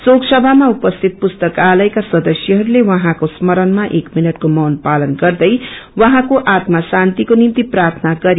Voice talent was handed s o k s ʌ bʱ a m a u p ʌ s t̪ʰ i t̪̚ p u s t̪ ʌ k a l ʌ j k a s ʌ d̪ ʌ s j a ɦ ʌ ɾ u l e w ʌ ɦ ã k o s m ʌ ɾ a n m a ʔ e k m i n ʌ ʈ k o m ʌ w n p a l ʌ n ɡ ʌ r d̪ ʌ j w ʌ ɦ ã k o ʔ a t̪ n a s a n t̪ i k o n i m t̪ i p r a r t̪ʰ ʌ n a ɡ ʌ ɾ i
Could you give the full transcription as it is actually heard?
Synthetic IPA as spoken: s o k s ʌ bʱ a m a u p ʌ s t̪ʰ i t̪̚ p u s t̪ ʌ k a l ʌ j k a s ʌ d̪ ʌ s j ʌ ɦ ʌ ɾ u l e w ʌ ɦ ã k o s m ʌ ɾ ʌ n m a ʔ e k m i n ʌ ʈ k o m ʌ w n p a l ʌ n ɡ ʌ r d̪ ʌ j w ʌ ɦ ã k o ʔ a t̪ m a s a n t̪ i k o n i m t̪ i p r a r t̪ʰ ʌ n a ɡ ʌ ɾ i